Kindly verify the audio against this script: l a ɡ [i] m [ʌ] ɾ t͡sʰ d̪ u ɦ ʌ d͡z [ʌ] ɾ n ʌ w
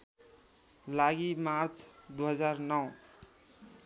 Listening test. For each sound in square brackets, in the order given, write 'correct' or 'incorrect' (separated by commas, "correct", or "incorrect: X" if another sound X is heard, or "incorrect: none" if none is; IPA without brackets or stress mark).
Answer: correct, incorrect: a, incorrect: a